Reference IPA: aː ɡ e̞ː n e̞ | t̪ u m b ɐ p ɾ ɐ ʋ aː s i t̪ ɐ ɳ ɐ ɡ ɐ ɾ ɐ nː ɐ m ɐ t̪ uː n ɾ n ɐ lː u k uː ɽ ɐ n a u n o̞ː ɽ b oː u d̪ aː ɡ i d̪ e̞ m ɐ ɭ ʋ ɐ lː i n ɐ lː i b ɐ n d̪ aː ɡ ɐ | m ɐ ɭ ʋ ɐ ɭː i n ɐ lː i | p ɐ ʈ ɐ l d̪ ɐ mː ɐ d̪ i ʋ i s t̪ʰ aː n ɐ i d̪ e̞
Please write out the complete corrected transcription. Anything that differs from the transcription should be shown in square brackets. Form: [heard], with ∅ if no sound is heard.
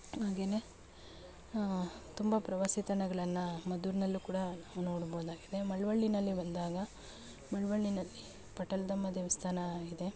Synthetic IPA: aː ɡ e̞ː n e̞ | t̪ u m b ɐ p ɾ ɐ ʋ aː s i t̪ ɐ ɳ ɐ ɡ ɐ [ɭ] ɐ nː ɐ m ɐ [d̪] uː [∅] ɾ n ɐ lː u k uː ɽ ɐ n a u n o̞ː ɽ b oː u d̪ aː ɡ i d̪ e̞ m ɐ ɭ ʋ ɐ [ɭː] i n ɐ lː i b ɐ n d̪ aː ɡ ɐ | m ɐ ɭ ʋ ɐ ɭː i n ɐ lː i | p ɐ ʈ ɐ l d̪ ɐ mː ɐ d̪ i ʋ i s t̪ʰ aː n ɐ i d̪ e̞

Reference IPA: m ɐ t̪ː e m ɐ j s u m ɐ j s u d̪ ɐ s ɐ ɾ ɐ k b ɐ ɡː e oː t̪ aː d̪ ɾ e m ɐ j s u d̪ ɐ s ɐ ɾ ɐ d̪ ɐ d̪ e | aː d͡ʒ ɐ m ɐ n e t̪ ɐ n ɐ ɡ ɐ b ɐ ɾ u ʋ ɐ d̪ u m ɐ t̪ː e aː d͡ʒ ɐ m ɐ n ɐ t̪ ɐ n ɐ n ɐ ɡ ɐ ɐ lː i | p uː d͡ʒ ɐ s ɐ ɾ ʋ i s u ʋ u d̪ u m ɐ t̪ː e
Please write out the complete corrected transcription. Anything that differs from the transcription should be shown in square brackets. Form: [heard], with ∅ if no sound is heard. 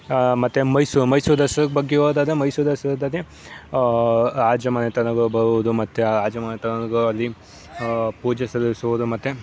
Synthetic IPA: m ɐ t̪ː e m ɐ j s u m ɐ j s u d̪ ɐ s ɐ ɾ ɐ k b ɐ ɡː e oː [d̪] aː d̪ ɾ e m ɐ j s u d̪ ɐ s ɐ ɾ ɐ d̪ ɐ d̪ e | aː d͡ʒ ɐ m ɐ n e t̪ ɐ n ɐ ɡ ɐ b ɐ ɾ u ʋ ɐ d̪ u m ɐ t̪ː e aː d͡ʒ ɐ m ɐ n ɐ t̪ ɐ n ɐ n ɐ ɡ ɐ ɐ lː i | p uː d͡ʒ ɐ s ɐ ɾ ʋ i s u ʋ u d̪ u m ɐ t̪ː e

